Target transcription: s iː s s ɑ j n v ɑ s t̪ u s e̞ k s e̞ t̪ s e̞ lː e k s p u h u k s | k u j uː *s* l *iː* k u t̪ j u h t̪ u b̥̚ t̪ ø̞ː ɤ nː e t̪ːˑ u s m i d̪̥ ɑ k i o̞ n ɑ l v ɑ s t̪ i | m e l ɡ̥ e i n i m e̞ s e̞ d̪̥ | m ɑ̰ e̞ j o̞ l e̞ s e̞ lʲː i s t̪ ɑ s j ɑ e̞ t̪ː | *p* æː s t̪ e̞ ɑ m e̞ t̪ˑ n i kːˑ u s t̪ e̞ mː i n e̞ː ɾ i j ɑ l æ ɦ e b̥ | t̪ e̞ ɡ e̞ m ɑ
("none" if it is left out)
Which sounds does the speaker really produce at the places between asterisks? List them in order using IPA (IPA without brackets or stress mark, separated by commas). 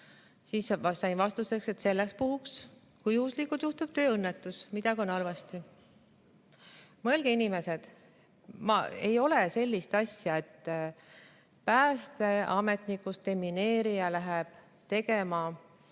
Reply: s, i, p